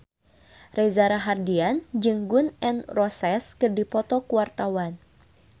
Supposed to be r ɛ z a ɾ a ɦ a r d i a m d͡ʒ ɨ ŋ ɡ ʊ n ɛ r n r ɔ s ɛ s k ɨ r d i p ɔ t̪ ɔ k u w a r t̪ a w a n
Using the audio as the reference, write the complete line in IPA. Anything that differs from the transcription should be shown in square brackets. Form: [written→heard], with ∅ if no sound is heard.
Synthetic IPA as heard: r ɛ z a ɾ a ɦ a r d i a [m→n] d͡ʒ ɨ ŋ ɡ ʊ n ɛ [r→∅] n r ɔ s ɛ s k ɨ r d i p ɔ t̪ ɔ k u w a r t̪ a w a n